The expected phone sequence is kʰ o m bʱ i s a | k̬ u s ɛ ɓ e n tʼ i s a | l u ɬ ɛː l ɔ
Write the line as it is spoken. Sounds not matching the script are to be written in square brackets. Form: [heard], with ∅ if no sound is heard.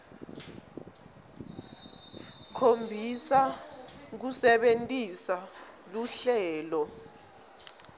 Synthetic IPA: kʰ o m bʱ i s a | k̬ u s ɛ ɓ e n tʼ i s a | l u ɬ ɛː l ɔ